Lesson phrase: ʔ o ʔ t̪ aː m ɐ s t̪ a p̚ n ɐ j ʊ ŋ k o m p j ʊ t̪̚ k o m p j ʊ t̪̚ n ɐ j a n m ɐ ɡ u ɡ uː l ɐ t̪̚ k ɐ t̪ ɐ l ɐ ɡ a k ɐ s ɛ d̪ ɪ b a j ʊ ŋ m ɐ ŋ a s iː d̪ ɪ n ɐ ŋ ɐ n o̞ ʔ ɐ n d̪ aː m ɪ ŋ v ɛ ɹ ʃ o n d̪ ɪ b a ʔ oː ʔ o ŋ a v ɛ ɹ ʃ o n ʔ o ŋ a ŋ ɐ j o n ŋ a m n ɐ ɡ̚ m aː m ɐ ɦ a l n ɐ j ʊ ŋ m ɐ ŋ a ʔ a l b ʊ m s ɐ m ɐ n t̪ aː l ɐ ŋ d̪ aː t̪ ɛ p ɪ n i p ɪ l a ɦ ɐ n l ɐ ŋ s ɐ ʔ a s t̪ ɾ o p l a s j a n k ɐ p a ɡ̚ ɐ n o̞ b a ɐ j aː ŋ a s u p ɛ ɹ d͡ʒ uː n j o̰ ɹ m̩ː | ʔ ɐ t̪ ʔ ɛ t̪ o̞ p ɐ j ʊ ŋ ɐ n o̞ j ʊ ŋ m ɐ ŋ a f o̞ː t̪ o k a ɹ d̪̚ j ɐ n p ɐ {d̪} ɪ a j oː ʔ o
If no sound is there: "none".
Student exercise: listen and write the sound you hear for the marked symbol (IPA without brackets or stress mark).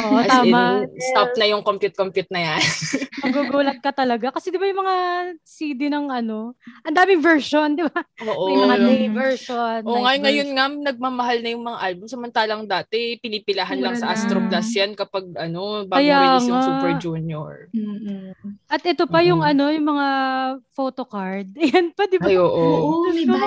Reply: d̪